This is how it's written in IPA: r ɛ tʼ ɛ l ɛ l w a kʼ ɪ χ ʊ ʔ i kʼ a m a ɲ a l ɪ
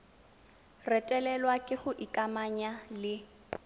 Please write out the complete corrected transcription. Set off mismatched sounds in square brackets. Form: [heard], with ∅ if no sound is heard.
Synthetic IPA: r ɛ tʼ ɛ l ɛ l w a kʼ ɪ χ ʊ ʔ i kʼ a m a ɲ a l ɪ